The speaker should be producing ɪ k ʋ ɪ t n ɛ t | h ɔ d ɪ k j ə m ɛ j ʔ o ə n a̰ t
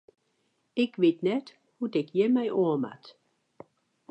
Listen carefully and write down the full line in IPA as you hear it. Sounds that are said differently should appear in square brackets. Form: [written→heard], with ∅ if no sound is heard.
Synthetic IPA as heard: ɪ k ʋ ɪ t n ɛ t | h [ɔ→u] d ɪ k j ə m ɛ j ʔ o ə [n→m] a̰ t